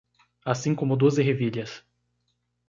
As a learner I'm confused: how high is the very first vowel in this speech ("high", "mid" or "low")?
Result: low